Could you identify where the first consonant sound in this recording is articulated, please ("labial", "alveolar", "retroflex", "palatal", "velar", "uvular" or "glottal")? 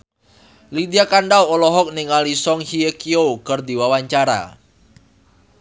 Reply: alveolar